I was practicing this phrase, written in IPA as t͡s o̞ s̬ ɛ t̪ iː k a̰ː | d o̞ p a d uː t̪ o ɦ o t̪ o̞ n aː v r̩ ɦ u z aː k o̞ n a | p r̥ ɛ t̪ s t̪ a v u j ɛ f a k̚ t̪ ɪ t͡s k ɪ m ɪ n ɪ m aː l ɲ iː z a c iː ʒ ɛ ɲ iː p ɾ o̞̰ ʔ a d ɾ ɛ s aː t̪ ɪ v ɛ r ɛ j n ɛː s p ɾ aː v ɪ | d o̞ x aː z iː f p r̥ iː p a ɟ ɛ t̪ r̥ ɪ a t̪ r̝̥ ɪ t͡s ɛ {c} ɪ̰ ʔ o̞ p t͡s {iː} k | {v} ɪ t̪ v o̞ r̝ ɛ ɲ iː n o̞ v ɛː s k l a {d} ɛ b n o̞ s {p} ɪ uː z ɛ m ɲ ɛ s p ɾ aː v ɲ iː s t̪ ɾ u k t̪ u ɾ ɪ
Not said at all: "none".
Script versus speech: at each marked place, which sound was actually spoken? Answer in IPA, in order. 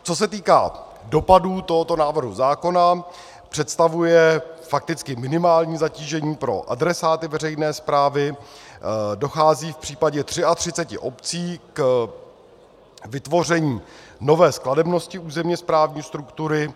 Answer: c, iː, v, d, c

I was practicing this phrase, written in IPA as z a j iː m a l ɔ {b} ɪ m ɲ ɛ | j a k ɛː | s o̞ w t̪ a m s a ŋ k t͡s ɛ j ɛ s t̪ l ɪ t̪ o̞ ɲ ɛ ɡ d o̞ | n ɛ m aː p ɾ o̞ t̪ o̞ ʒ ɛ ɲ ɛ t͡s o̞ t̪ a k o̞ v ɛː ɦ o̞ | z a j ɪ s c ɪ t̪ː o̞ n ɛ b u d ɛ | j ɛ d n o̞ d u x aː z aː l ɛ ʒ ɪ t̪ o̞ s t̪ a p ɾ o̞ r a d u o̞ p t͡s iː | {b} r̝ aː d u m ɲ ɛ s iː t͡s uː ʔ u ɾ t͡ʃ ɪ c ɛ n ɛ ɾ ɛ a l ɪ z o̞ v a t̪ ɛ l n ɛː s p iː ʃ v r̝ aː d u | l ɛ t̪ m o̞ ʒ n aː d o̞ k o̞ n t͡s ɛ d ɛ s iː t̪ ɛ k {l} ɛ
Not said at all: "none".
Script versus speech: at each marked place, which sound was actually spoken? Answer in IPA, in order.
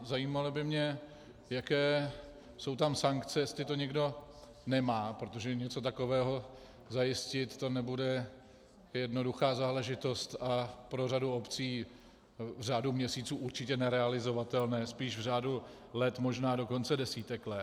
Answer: b, v, l

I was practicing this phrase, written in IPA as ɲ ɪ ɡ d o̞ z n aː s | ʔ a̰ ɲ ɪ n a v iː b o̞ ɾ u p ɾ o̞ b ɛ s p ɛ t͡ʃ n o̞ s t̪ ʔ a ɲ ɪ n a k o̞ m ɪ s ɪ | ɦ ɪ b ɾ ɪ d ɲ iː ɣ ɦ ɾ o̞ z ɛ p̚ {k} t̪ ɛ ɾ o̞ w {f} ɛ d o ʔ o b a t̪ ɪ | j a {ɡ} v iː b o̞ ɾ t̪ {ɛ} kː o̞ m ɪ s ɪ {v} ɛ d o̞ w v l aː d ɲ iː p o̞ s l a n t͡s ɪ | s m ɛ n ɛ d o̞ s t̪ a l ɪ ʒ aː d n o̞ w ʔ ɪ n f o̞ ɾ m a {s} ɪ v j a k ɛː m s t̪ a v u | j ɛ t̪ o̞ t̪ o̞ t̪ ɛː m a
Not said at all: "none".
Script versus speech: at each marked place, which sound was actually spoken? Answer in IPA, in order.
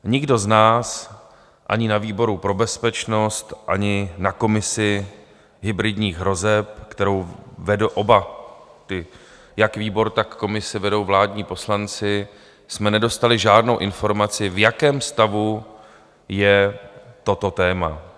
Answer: k, v, k, a, v, t͡s

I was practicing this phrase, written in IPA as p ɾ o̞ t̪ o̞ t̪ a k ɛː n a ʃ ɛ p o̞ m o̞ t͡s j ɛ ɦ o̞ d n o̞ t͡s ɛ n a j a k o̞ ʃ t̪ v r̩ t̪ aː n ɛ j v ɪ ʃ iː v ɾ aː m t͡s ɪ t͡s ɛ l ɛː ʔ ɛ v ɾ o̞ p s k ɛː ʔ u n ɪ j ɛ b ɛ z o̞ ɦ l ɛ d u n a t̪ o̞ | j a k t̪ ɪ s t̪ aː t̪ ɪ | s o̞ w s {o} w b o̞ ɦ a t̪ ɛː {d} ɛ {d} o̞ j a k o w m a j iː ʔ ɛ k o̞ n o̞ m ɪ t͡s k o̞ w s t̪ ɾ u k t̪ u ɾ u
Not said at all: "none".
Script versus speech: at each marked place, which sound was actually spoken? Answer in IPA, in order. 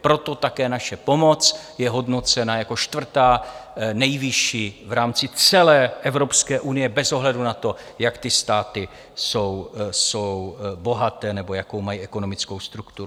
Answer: o, n, b

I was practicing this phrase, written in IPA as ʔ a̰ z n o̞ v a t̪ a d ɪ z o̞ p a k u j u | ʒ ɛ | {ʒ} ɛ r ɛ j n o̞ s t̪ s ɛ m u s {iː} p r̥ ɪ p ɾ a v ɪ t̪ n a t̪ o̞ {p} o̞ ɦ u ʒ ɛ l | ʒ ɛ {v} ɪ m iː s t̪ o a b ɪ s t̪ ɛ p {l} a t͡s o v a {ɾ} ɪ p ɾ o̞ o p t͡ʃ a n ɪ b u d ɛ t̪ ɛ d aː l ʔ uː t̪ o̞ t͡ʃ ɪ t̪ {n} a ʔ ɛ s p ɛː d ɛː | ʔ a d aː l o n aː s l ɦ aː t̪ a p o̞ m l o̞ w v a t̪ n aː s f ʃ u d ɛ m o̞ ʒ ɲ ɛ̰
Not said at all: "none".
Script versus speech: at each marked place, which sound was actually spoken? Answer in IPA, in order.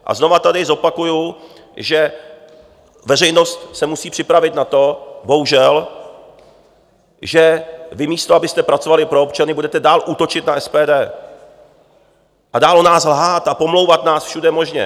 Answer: v, iː, b, v, ɾ, l, n

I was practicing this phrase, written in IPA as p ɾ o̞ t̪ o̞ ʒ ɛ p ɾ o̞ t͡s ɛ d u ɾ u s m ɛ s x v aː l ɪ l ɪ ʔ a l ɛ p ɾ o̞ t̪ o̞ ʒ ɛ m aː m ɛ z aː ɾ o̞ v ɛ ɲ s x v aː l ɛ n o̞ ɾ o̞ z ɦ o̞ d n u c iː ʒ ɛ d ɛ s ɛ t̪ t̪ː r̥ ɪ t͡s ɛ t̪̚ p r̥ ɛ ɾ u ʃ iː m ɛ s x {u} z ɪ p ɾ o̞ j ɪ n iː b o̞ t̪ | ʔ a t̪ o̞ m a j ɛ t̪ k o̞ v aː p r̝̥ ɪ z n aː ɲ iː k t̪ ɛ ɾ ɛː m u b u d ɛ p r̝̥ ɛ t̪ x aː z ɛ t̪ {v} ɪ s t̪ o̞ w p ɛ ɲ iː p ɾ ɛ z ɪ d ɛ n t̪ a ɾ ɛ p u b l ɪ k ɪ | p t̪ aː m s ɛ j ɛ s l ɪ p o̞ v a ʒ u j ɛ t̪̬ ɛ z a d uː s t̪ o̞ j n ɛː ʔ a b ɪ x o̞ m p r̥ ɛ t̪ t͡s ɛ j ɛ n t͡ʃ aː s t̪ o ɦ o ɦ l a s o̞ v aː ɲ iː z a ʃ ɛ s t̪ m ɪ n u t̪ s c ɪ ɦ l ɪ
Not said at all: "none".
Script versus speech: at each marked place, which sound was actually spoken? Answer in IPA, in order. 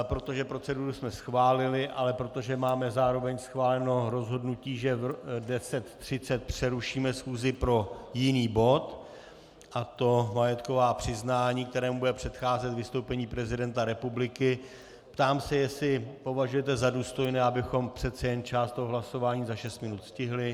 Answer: uː, v

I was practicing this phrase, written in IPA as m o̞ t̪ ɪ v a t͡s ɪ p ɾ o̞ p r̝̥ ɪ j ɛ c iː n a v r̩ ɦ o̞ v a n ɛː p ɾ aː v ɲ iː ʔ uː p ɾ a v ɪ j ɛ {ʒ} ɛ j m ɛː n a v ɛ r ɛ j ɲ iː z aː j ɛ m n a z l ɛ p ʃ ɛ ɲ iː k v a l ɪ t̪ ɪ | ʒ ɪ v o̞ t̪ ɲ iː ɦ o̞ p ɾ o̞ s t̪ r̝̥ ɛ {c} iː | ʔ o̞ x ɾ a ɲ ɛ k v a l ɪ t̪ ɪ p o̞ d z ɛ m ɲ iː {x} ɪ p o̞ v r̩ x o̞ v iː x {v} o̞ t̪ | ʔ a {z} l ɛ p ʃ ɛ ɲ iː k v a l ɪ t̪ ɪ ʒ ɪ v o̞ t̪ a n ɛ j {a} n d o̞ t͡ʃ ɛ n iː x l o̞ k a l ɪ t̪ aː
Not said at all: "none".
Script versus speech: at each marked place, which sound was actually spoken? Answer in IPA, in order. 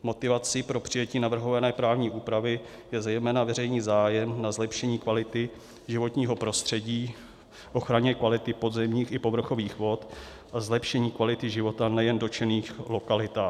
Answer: z, ɟ, x, v, z, ɛ

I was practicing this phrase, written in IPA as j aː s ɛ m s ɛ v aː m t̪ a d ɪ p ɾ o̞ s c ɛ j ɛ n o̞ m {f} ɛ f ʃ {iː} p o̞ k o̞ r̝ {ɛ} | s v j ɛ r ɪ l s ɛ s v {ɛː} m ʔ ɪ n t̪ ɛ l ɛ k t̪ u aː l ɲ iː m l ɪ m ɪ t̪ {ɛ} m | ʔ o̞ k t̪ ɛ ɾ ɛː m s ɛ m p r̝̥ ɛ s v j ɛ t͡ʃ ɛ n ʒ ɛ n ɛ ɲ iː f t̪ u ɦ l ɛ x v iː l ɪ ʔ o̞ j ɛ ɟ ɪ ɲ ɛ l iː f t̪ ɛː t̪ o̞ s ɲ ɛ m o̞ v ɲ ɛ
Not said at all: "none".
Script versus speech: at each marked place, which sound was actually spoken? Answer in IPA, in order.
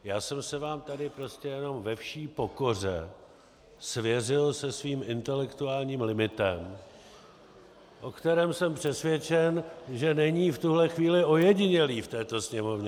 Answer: v, iː, ɛ, iː, ɛ

